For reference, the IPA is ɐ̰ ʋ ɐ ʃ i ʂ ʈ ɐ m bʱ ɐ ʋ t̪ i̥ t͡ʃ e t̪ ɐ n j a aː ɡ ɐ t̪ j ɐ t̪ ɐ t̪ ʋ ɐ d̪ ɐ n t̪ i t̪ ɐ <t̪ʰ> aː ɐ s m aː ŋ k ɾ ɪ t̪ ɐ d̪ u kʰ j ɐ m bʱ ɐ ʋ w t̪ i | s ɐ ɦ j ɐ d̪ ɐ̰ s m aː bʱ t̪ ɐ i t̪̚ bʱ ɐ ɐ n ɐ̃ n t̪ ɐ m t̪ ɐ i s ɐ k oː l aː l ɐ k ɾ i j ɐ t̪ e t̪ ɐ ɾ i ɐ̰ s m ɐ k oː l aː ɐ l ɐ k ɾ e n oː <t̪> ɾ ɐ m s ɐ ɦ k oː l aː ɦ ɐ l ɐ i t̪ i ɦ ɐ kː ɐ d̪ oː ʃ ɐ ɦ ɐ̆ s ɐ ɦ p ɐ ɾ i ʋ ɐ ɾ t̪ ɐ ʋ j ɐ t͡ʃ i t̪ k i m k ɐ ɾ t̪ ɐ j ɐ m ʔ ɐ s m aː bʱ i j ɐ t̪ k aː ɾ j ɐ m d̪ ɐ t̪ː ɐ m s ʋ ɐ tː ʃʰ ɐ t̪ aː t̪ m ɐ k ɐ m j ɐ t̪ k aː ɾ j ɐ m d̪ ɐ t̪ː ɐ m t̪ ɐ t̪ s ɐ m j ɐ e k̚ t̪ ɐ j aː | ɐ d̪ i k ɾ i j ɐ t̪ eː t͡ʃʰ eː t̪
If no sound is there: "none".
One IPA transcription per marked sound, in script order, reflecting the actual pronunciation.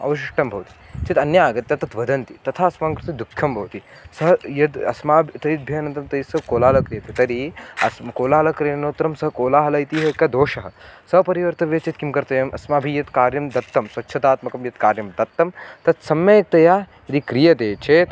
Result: t̪ʰ, t̪

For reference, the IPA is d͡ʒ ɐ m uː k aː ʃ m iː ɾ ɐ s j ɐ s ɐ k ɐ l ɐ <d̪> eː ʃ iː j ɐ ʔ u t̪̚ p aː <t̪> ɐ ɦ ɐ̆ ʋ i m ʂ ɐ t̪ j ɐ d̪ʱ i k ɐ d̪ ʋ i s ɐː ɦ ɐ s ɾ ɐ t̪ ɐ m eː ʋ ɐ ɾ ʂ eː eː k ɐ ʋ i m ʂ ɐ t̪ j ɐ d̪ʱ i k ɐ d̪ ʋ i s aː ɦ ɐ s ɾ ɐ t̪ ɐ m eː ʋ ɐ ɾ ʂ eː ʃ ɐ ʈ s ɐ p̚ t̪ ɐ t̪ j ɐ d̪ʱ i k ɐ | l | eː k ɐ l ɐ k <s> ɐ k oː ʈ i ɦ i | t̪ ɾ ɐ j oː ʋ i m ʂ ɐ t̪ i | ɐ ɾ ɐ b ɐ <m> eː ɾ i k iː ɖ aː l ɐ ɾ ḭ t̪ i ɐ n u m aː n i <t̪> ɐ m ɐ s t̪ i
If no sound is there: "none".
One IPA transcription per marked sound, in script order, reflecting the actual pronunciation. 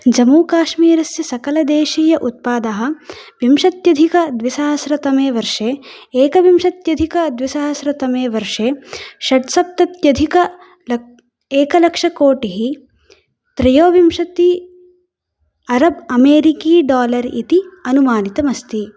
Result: d̪, d̪, ʂ, m, t̪

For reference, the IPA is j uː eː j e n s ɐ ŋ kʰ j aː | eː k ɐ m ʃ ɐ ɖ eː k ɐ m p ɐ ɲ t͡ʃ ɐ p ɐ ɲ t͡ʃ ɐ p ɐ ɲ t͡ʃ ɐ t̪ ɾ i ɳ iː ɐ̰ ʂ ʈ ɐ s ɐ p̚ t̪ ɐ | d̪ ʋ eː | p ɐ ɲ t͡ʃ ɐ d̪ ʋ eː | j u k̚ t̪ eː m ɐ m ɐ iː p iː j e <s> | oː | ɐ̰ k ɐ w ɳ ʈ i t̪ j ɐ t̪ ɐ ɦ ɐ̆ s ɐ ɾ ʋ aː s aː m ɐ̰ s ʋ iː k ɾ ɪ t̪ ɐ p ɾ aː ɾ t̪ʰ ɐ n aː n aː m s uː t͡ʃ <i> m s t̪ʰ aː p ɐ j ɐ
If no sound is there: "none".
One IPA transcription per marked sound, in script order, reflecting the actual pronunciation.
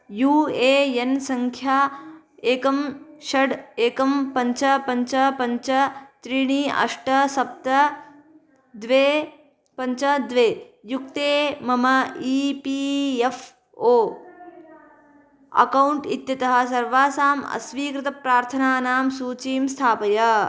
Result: f, iː

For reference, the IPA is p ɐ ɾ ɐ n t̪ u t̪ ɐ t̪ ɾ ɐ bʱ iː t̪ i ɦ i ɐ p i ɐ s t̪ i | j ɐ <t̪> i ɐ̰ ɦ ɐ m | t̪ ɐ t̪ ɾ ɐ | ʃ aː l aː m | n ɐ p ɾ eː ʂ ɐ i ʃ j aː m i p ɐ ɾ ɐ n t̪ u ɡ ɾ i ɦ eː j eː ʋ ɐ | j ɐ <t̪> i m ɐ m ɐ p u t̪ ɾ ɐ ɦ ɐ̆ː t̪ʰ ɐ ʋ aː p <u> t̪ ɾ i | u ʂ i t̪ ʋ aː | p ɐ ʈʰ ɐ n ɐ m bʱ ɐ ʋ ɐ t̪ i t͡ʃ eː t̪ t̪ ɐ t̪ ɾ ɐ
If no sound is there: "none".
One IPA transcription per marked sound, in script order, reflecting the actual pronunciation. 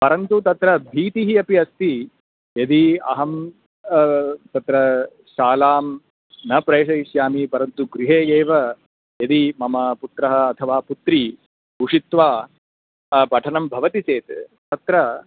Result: d̪, d̪, u

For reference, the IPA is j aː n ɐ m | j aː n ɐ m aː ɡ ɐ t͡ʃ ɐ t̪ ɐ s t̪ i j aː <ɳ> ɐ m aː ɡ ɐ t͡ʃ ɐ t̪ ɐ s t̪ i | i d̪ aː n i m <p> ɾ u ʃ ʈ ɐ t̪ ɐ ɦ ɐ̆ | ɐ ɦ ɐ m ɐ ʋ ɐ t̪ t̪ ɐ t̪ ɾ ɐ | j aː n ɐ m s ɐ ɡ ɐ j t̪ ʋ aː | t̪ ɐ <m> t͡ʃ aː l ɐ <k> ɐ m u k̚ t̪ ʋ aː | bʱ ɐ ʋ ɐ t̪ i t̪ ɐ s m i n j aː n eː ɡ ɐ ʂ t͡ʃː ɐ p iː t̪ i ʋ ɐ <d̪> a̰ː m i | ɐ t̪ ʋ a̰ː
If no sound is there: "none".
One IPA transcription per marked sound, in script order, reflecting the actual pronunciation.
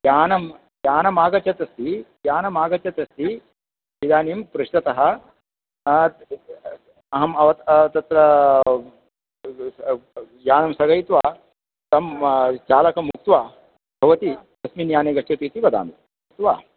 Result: n, p, m, k, d̪

